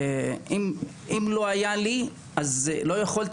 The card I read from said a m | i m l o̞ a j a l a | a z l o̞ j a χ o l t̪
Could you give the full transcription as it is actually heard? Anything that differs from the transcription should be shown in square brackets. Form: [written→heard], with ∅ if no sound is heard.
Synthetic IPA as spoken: [a→i] m | i m l o̞ a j a l [a→i] | a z l o̞ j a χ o l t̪